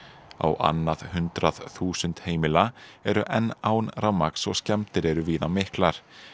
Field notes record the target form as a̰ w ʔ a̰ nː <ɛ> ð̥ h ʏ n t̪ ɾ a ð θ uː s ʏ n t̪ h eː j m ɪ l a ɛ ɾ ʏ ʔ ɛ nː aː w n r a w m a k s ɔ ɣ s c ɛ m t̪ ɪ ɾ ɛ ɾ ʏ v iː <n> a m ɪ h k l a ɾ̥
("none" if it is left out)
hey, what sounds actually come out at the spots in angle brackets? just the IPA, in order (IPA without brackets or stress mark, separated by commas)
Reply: a, n